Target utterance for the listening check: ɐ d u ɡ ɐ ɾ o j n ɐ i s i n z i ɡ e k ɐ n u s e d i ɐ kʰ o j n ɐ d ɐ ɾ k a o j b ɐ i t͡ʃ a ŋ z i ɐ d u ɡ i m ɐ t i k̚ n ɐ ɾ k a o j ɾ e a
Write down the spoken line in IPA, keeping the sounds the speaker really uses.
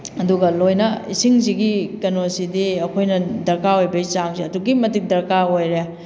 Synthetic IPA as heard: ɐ d u ɡ ɐ l o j n ɐ i s i ŋ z i ɡ i k ɐ n o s i d i ɐ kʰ o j n ɐ d ɐ ɾ k a o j b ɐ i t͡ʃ a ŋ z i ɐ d u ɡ i m ɐ t i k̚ d ɐ ɾ k a o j ɾ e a